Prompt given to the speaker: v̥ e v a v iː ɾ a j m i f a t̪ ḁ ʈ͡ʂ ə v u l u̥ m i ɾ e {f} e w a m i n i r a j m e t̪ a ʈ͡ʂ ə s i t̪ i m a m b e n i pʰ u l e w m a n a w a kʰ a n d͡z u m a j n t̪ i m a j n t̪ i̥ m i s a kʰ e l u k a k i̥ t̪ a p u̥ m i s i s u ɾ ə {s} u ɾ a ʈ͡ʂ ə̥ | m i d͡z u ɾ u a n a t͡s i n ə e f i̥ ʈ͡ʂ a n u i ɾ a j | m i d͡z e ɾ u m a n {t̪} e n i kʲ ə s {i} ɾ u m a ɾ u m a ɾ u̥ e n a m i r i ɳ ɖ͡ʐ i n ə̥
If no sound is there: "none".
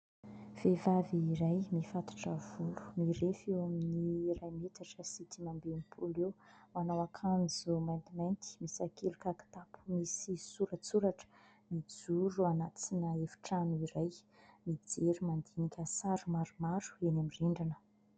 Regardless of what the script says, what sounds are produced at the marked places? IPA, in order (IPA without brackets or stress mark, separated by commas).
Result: f, t͡s, d̪, a